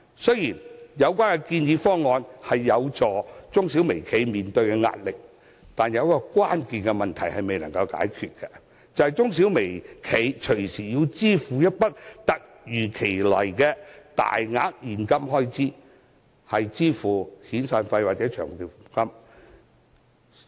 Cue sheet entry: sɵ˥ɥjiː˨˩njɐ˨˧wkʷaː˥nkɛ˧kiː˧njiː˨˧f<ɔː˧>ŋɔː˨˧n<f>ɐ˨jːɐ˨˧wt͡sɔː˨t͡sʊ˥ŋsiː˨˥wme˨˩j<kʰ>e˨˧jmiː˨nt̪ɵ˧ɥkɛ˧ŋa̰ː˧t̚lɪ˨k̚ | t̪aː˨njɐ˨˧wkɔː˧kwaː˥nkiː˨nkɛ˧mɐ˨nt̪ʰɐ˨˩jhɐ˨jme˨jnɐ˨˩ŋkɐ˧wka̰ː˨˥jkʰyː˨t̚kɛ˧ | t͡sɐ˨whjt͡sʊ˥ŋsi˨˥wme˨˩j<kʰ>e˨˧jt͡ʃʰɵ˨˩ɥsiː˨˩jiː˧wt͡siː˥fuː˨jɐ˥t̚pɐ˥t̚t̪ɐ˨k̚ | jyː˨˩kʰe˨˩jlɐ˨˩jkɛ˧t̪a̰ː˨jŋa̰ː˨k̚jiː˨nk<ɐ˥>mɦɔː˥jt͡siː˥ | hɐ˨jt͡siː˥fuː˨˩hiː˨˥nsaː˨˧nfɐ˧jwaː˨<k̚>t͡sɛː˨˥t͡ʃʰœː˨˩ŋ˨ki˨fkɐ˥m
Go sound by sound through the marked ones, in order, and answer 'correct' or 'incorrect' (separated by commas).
incorrect, incorrect, correct, correct, correct, incorrect